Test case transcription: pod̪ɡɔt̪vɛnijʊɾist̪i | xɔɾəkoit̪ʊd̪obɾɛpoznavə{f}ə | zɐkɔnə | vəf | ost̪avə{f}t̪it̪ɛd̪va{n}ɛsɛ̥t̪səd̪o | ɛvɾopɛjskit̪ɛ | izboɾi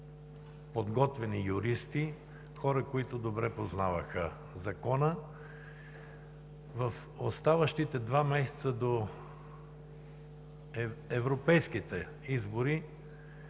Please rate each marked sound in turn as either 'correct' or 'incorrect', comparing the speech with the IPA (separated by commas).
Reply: incorrect, incorrect, incorrect